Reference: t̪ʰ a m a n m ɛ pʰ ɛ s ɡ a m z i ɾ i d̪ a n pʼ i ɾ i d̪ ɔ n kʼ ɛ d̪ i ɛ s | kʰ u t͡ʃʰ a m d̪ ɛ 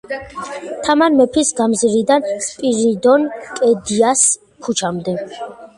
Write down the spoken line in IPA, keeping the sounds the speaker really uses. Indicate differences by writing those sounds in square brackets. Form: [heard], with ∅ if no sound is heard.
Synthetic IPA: t̪ʰ a m a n m ɛ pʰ [i] s ɡ a m z i ɾ i d̪ a n pʼ i ɾ i d̪ ɔ n kʼ ɛ d̪ i [a] s | kʰ u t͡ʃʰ a m d̪ ɛ